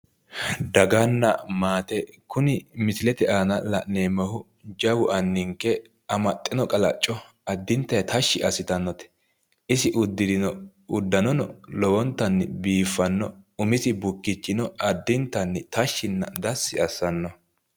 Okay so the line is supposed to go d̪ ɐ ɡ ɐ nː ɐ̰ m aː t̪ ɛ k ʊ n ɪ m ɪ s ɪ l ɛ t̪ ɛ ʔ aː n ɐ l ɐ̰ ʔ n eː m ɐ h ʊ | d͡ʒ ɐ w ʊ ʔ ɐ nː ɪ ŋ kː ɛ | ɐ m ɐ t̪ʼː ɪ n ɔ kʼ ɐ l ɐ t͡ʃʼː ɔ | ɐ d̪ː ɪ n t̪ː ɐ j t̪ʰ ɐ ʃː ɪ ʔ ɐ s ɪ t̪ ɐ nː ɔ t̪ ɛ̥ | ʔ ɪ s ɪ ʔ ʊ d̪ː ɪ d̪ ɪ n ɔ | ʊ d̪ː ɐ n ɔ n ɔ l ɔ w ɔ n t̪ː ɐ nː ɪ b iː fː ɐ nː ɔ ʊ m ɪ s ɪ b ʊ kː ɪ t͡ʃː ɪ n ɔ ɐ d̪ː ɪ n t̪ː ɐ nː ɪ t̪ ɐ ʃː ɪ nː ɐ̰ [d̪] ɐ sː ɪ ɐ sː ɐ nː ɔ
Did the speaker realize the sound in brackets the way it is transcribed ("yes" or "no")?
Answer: yes